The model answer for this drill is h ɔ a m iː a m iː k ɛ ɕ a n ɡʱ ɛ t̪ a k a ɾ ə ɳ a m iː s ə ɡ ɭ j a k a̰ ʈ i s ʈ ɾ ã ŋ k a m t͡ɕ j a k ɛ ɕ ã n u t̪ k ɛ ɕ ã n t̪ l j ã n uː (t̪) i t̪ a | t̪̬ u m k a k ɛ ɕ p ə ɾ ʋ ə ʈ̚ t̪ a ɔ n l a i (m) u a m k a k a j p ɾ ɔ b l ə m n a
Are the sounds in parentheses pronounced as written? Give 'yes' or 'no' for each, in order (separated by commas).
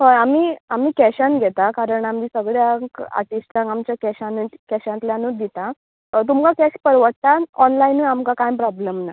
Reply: no, no